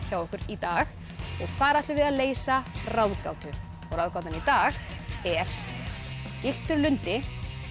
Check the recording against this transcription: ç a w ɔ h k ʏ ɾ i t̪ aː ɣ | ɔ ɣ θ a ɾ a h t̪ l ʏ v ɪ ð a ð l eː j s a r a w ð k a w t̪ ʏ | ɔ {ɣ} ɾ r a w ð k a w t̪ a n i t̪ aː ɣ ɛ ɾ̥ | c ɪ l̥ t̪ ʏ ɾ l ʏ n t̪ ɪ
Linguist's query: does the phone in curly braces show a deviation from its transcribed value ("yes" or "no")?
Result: no